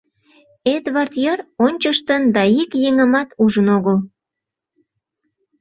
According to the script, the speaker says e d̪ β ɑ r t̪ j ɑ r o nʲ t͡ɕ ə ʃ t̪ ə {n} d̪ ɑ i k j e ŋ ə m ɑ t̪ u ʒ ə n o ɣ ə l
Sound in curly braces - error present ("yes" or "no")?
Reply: no